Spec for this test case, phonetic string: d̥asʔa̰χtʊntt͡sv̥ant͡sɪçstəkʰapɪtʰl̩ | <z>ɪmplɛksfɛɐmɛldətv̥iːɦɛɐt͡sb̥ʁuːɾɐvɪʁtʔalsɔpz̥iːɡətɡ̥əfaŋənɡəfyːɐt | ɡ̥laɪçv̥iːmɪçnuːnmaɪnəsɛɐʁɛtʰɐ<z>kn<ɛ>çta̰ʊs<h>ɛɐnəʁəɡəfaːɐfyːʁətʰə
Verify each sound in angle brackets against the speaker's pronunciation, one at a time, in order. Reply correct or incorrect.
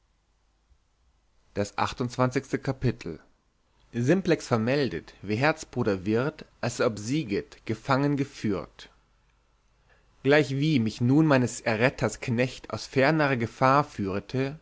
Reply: correct, incorrect, correct, incorrect

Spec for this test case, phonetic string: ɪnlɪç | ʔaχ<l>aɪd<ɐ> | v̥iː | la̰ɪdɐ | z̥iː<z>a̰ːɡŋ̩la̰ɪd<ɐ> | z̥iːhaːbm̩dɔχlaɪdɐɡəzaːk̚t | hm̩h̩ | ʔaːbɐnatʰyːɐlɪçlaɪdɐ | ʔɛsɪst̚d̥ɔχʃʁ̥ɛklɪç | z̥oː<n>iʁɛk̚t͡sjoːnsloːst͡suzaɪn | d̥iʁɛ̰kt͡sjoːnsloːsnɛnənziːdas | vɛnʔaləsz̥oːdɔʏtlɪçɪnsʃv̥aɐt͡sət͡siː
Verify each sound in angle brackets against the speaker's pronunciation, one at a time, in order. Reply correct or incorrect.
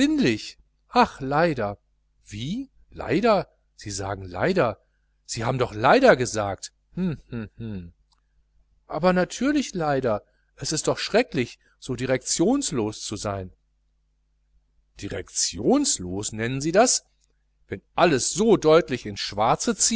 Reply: correct, correct, correct, correct, incorrect

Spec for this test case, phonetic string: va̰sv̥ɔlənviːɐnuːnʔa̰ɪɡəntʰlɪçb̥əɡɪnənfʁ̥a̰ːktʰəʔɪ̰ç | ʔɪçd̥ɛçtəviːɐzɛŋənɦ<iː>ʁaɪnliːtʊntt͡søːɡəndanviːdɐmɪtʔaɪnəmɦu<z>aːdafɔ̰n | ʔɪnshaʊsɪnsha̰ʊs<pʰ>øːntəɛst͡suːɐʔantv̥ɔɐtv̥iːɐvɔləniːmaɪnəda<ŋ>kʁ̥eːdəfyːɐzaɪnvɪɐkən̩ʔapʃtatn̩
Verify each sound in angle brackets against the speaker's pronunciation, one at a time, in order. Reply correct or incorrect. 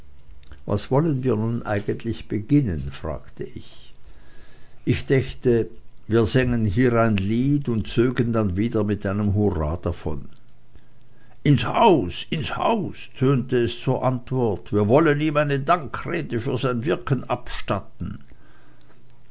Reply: correct, incorrect, incorrect, correct

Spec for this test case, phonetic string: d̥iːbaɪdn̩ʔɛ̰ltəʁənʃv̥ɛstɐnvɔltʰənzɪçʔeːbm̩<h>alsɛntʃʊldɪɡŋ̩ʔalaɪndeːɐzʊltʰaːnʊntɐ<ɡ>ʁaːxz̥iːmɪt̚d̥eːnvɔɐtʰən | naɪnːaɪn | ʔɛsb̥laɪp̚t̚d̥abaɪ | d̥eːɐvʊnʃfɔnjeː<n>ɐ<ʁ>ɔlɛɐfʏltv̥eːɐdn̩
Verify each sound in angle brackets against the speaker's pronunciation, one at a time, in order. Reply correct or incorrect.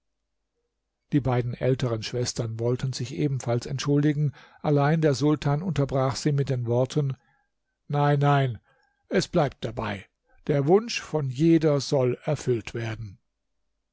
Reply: incorrect, incorrect, incorrect, incorrect

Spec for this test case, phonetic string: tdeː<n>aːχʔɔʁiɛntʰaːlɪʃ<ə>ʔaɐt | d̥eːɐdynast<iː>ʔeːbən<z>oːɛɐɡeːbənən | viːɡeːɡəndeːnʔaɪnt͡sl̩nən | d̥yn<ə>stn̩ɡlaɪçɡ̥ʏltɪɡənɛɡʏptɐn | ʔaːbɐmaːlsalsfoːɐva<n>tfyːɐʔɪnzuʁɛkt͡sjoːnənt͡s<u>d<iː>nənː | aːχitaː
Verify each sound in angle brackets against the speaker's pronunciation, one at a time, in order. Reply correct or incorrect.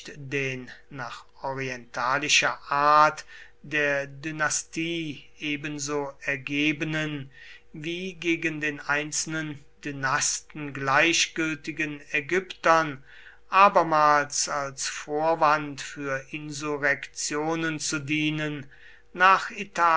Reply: incorrect, incorrect, correct, correct, incorrect, correct, correct, correct

